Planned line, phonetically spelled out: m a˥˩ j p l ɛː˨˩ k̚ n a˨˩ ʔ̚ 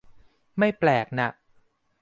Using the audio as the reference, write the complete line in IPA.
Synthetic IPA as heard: m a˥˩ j p l ɛː˨˩ k̚ n a˨˩ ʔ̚